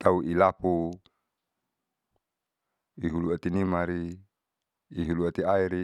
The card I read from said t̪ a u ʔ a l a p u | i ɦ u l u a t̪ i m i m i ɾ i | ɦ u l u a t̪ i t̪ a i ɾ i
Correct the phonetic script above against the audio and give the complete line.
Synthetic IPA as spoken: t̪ a u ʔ i l a p u | i ɦ u l u a t̪ i n i m a ɾ i | ɦ u l u a t̪ i a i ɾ i